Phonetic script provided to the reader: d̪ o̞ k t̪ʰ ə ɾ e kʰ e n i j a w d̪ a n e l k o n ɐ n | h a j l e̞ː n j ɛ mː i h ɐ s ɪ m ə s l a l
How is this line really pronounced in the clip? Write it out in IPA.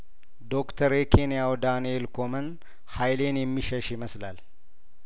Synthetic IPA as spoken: d̪ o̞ k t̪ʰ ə ɾ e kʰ e n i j a w d̪ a n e l k o m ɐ n | h a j l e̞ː n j ɛ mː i ʃ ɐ ʃ ɪ m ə s l a l